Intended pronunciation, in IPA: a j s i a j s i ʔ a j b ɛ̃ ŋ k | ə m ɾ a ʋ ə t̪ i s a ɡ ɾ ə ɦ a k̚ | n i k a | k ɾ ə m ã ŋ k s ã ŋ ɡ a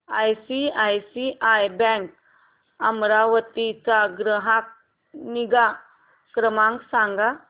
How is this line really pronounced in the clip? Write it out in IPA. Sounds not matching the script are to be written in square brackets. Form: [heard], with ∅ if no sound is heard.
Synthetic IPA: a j s i a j s i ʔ a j b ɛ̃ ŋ k | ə m ɾ a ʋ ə t̪ i [t͡s] a ɡ ɾ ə ɦ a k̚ | n i [ɡ] a | k ɾ ə m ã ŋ k s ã ŋ ɡ a